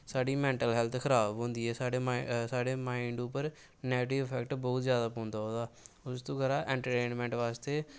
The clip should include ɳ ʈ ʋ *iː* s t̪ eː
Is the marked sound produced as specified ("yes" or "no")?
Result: no